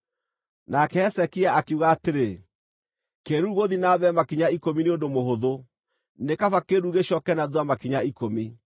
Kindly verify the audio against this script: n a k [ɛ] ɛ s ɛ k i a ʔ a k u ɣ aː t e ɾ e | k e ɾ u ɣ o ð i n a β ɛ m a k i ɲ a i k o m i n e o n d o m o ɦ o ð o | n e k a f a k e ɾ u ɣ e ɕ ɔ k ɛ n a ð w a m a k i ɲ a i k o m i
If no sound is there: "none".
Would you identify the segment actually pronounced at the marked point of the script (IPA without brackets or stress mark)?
ɛ